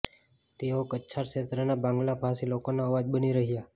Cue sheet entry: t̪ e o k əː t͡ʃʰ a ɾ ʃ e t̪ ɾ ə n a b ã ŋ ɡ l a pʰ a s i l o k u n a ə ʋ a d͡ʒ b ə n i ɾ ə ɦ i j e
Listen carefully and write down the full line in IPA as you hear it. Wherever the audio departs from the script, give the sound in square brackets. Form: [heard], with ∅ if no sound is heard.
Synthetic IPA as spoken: t̪ e o k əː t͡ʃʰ a ɾ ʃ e t̪ ɾ ə n a b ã ŋ ɡ l a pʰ a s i l o k [o] n a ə ʋ a d͡ʒ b ə n i ɾ ə ɦ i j [a]